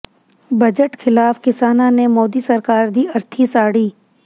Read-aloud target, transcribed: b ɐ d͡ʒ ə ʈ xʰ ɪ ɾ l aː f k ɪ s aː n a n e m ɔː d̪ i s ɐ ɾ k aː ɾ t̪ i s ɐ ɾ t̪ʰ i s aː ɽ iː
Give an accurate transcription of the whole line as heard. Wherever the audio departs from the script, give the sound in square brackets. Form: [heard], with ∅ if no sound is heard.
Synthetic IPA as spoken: b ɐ d͡ʒ ə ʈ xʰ ɪ [∅] l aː f k ɪ s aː n a n e m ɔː d̪ i s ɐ ɾ k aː ɾ [d̪] i [∅] ɐ ɾ t̪ʰ i s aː ɽ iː

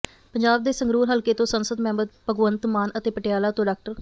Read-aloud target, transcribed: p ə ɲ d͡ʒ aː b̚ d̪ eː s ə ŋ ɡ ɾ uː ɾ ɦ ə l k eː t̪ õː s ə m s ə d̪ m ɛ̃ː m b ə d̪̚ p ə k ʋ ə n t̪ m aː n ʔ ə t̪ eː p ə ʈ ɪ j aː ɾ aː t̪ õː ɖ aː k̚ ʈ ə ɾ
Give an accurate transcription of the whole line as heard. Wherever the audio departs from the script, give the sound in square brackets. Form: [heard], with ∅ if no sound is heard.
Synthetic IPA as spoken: p ə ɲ d͡ʒ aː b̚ d̪ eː s ə ŋ ɡ ɾ uː ɾ ɦ ə l k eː t̪ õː s ə [n] s ə d̪ m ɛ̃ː m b ə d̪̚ p ə [ɡ] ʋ ə n t̪ m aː n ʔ ə t̪ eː p ə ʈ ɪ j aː [l] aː t̪ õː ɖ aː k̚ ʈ ə ɾ

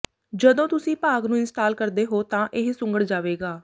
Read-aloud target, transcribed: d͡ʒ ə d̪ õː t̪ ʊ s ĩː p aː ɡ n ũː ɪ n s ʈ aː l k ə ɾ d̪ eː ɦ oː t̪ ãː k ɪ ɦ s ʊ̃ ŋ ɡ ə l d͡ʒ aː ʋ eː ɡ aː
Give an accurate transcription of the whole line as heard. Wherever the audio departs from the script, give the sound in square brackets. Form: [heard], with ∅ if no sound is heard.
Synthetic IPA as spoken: d͡ʒ ə d̪ õː t̪ ʊ s ĩː p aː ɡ n ũː ɪ n s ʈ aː l k ə ɾ d̪ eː ɦ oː t̪ ãː [ʔ] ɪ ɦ s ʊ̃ ŋ ɡ ə [ɽ] d͡ʒ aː ʋ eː ɡ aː

